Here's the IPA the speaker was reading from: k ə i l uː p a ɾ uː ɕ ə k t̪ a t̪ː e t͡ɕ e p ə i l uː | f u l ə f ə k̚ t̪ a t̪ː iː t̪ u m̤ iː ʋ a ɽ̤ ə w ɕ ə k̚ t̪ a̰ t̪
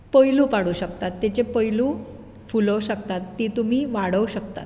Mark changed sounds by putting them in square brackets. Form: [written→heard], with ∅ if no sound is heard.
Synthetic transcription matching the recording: [k→p] ə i l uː p a [ɾ→ɽ] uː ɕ ə k t̪ a t̪ː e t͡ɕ e p ə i l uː | f u l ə [f→ɕ] ə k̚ t̪ a t̪ː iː t̪ u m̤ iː ʋ a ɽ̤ ə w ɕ ə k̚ t̪ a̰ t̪

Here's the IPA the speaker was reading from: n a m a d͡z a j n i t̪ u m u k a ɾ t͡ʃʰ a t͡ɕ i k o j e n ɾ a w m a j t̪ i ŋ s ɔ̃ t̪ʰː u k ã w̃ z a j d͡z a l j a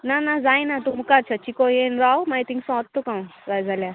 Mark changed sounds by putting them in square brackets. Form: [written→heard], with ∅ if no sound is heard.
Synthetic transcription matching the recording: n a [m→n] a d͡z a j n [i→a] t̪ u m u k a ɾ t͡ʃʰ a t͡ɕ i k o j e n ɾ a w m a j t̪ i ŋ s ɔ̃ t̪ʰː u k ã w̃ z a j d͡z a l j a

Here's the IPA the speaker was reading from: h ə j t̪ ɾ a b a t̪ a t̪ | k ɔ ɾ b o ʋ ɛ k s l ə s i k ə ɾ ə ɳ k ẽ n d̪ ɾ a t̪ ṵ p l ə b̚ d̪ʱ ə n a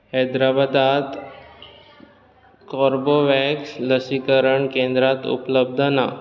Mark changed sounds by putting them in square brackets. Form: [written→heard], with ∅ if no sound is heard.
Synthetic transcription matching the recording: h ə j [t̪→d̪] ɾ a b a [t̪→d̪] a t̪ | k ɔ ɾ b o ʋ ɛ k s l ə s i k ə ɾ ə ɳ k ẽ n d̪ ɾ a t̪ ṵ p l ə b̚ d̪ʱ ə n a

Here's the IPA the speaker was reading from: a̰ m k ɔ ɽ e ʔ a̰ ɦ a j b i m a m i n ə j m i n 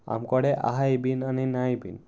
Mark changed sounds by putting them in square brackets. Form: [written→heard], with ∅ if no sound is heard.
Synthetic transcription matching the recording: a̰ m k ɔ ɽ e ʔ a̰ ɦ a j b i [m→n] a [m→n] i n [ə→a] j [m→b] i n

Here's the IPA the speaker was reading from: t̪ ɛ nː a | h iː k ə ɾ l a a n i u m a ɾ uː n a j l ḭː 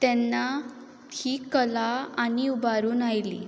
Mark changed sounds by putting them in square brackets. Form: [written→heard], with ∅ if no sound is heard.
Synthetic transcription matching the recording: t̪ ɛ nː a | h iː k ə [ɾ→∅] l a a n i u [m→b] a ɾ uː n a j l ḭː

